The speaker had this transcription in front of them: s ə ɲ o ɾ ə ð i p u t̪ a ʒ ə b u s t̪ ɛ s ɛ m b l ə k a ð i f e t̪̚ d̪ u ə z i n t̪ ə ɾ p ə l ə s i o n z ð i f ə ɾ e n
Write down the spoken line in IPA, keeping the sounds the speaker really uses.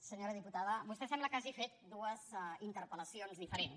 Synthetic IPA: s ə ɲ o ɾ ə ð i p u t̪ a ð ə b u s t̪ ɛ s ɛ m b l ə k a ʒ i f e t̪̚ d̪ u ə z i n t̪ ə ɾ p ə l ə s i o n z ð i f ə ɾ e n